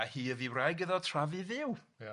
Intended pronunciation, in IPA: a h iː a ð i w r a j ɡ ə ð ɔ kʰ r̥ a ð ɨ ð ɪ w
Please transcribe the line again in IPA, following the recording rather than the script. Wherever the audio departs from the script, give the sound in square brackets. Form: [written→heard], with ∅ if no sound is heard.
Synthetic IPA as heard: a h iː [a→ə] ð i w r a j ɡ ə ð ɔ [kʰ→tʰ] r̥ a [ð→v] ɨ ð ɪ w